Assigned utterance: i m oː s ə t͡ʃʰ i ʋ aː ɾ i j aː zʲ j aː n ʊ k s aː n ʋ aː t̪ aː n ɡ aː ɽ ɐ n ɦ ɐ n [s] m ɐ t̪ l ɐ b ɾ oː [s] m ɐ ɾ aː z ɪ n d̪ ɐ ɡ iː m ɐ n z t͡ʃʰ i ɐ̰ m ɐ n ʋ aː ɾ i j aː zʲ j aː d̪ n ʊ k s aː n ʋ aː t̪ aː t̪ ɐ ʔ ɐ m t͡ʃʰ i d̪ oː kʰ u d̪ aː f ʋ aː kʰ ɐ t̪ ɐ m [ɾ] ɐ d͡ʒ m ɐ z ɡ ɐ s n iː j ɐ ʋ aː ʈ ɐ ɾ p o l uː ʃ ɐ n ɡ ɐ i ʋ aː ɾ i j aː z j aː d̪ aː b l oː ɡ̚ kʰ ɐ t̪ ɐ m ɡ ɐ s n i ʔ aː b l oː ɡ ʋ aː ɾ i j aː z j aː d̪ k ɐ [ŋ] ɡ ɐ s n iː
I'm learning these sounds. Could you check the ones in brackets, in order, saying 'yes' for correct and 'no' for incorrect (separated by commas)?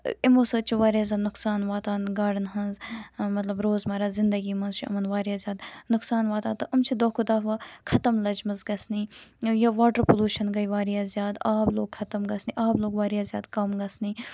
no, no, no, no